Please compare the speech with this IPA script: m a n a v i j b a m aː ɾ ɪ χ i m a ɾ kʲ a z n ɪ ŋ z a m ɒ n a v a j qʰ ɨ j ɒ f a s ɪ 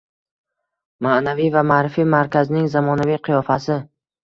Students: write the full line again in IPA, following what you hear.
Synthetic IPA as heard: m a n a v i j v a m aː ɾ ɪ f i m a ɾ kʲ a z n ɪ ŋ z a m ɒ n a v i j qʰ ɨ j ɒ f a s ɪ